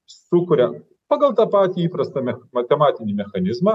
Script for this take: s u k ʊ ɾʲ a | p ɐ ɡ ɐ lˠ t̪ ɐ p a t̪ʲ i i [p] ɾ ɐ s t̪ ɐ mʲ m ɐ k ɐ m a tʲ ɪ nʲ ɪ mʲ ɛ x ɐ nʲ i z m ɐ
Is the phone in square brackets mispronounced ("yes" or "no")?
no